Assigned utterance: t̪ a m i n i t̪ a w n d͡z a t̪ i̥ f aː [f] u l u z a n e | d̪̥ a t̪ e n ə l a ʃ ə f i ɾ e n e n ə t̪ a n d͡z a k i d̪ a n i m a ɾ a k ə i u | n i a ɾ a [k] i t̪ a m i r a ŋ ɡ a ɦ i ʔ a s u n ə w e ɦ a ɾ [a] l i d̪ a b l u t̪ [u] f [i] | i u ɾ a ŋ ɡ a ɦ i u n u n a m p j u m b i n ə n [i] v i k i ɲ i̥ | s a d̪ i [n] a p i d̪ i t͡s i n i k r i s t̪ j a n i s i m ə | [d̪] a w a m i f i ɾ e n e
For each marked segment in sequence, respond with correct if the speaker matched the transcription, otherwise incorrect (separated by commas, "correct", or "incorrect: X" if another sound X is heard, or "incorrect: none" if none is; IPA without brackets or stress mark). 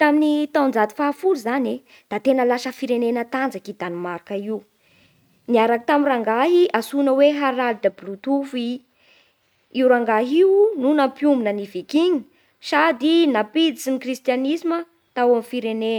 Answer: correct, correct, correct, correct, correct, correct, correct, incorrect: t̪